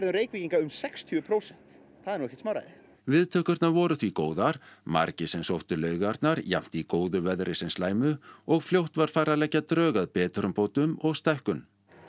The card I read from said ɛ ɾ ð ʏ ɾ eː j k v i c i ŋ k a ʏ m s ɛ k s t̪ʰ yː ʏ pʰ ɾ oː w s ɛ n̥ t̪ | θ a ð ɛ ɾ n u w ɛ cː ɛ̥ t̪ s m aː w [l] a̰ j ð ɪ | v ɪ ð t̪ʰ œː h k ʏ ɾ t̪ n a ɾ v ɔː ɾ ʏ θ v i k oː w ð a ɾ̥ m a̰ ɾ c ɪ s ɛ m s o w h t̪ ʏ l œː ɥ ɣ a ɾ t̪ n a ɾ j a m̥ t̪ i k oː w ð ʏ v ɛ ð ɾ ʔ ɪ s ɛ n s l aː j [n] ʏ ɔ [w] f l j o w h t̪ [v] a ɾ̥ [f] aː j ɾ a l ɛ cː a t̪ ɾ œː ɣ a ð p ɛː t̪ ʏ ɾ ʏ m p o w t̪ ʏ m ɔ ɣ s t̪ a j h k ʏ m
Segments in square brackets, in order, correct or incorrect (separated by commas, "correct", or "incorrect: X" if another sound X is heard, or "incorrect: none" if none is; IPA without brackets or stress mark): incorrect: ɾ, incorrect: m, incorrect: ɣ, correct, correct